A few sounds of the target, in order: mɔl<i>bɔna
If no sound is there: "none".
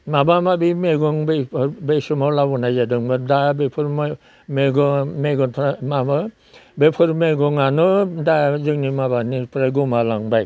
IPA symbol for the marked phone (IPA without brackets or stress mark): a